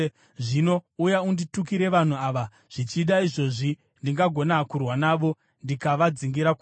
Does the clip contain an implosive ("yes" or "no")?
yes